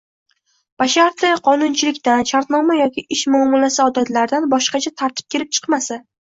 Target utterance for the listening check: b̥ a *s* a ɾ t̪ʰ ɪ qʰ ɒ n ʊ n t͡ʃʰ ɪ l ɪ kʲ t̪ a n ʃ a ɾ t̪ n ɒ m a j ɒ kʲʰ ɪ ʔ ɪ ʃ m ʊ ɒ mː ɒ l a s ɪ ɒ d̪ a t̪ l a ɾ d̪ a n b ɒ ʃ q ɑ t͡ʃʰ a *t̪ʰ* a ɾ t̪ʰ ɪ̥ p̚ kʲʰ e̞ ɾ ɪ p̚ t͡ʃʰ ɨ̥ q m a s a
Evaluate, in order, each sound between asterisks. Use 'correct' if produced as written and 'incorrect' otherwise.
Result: incorrect: ʃ, correct

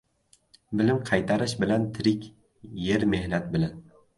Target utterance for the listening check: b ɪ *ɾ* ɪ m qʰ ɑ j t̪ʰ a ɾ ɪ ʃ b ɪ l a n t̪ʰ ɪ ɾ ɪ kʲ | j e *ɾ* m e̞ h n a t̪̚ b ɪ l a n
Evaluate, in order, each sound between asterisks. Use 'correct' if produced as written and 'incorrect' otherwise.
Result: incorrect: l, correct

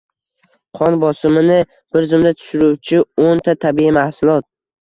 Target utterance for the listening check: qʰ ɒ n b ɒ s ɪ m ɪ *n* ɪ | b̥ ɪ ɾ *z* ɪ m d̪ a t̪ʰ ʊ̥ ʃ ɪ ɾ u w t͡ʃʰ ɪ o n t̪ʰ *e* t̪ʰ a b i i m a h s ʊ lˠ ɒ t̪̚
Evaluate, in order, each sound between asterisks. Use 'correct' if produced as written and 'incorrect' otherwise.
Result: correct, correct, incorrect: a

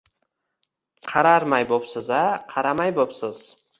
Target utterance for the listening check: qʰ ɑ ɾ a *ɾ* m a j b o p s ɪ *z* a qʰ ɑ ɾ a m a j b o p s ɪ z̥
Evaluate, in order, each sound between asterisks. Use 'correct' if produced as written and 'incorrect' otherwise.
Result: correct, correct

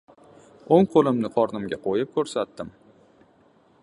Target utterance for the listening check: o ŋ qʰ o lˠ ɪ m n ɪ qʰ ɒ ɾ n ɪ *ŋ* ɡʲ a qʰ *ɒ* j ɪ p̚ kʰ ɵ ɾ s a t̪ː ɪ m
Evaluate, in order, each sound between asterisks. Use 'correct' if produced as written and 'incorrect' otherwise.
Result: incorrect: m, incorrect: o

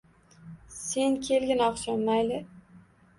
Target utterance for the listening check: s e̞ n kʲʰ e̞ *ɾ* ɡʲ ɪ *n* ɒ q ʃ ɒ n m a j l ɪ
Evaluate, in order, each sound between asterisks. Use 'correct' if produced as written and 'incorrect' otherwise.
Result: incorrect: l, correct

